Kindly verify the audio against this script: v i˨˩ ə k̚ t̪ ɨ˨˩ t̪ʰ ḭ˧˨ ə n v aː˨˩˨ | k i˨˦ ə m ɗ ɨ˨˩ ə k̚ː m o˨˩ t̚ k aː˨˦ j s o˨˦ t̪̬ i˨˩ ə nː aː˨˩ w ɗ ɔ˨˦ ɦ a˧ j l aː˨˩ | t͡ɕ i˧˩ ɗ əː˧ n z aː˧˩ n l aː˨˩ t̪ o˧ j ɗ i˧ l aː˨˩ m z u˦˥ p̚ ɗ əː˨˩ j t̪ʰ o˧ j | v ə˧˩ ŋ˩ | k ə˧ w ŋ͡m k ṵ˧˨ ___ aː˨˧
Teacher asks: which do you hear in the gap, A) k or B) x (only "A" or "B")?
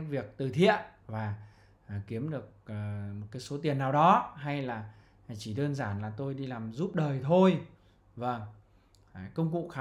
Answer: B